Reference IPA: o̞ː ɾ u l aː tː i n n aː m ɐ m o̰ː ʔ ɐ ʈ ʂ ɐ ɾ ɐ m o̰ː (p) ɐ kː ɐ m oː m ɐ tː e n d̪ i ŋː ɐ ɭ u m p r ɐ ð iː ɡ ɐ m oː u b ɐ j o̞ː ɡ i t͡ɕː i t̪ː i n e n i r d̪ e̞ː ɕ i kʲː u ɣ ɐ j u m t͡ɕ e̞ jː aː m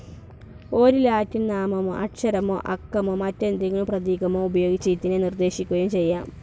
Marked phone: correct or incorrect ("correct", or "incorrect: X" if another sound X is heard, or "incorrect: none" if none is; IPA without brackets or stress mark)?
incorrect: ʔ